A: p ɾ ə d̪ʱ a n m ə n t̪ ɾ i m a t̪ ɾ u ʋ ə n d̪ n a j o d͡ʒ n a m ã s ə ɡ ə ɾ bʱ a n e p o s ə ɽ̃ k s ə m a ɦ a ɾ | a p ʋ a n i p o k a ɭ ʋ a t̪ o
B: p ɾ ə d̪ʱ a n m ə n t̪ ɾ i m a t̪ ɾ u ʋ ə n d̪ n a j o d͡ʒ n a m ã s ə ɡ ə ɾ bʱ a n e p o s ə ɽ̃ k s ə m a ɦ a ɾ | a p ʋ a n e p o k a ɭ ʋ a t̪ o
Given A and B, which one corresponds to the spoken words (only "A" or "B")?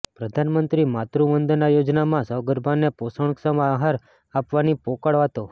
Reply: A